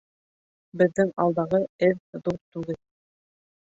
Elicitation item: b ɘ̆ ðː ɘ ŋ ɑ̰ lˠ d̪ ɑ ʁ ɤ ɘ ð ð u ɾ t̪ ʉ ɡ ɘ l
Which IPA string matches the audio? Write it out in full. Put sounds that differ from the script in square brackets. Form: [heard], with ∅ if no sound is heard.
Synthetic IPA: b ɘ̆ ðː ɘ ŋ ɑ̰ lˠ d̪ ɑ ʁ ɤ ɘ ð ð u ɾ t̪ ʉ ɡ ɘ l

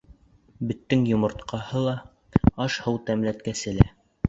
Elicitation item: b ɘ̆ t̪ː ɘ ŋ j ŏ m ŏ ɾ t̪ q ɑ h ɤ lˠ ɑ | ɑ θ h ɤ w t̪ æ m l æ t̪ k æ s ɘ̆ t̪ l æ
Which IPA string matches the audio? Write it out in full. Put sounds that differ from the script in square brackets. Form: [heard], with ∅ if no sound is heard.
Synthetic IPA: b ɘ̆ t̪ː ɘ ŋ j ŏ m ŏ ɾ t̪ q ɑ h ɤ lˠ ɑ | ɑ [ʃ] h ɤ w t̪ æ m l æ t̪ k æ s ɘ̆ [∅] l æ

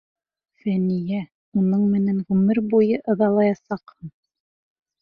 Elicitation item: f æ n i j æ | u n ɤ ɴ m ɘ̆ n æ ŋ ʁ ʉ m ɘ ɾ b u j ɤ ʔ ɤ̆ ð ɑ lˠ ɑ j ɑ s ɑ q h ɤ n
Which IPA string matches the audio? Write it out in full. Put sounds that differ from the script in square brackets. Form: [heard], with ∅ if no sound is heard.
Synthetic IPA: f æ n i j æ | u n ɤ ɴ m ɘ̆ n æ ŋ ʁ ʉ m ɘ ɾ b u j ɤ ʔ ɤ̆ ð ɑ lˠ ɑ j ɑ s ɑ q h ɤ n

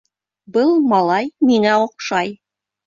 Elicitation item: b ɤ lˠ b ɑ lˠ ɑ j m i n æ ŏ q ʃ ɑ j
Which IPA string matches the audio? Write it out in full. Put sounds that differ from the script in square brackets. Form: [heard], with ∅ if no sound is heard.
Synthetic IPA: b ɤ lˠ [m] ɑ lˠ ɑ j m i [ŋ] æ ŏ q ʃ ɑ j

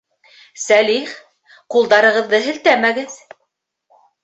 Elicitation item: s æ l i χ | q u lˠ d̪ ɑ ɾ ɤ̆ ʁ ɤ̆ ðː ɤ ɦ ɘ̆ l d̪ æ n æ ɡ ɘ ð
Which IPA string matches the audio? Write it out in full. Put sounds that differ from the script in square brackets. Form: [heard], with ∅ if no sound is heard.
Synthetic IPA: s æ l i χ | q u lˠ d̪ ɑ ɾ ɤ̆ ʁ ɤ̆ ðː ɤ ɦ ɘ̆ l [t̪] æ [m] æ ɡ ɘ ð

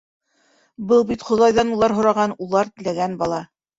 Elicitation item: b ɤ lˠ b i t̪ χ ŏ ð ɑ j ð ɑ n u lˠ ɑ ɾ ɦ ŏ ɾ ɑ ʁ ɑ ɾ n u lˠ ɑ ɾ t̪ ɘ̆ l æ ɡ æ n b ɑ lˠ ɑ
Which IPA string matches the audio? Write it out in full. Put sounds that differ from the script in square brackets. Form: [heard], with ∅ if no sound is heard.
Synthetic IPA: b ɤ lˠ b i t̪ χ ŏ ð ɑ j ð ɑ n u lˠ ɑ ɾ ɦ ŏ ɾ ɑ ʁ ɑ [∅] n u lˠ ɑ ɾ t̪ ɘ̆ l æ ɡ æ n b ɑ lˠ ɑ

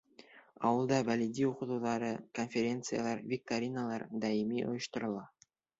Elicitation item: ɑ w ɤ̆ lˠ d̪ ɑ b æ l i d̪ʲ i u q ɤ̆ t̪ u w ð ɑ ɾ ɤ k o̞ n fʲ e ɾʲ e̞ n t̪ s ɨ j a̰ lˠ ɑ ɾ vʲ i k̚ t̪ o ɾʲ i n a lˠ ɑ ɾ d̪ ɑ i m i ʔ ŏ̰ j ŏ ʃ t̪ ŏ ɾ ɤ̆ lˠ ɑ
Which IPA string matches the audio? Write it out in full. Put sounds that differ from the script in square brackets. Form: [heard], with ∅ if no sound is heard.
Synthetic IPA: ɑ w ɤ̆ lˠ d̪ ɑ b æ l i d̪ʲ i u q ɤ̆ t̪ u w ð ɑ ɾ ɤ k o̞ n fʲ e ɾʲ e̞ n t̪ s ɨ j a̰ lˠ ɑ ɾ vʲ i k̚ t̪ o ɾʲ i n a lˠ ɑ ɾ d̪ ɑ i m i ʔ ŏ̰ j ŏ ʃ t̪ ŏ ɾ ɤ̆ lˠ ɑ

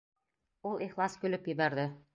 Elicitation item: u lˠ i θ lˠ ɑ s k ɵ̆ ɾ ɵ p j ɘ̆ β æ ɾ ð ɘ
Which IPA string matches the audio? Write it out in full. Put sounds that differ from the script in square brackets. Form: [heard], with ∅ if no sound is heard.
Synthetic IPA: u lˠ i [χ] lˠ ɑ s k ɵ̆ [l] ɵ p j ɘ̆ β æ ɾ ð ɘ

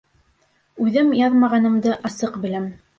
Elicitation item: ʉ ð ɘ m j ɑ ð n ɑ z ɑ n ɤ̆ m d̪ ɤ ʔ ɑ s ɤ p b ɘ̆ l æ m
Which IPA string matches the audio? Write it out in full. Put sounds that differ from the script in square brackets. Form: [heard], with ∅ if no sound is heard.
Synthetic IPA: ʉ ð ɘ m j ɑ ð [m] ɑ [ʁ] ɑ n ɤ̆ m d̪ ɤ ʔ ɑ s ɤ [q] b ɘ̆ l æ m

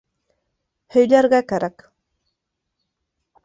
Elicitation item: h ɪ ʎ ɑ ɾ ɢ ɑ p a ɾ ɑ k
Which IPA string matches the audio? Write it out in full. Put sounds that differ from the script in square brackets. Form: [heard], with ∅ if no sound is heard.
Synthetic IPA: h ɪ ʎ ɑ ɾ ɢ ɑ [k] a ɾ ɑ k

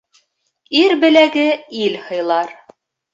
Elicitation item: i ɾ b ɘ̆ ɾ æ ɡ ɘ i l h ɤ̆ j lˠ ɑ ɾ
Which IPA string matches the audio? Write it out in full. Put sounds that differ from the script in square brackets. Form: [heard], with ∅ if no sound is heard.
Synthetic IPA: i ɾ b ɘ̆ [l] æ ɡ ɘ i l h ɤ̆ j lˠ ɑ ɾ

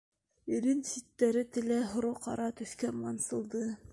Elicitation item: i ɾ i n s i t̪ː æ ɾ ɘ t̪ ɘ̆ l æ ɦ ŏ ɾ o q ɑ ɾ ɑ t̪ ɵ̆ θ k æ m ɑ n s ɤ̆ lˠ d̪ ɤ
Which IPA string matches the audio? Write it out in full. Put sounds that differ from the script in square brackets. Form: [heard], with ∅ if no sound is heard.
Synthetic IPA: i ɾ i n s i t̪ː æ ɾ ɘ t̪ ɘ̆ l æ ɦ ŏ ɾ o q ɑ ɾ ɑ t̪ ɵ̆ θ k æ m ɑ n s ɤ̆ lˠ d̪ ɤ

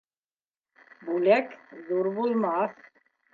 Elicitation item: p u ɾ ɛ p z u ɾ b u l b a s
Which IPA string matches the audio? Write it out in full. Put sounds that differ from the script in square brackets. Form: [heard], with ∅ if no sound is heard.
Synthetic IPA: [b] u [l] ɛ [k] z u ɾ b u l [m] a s

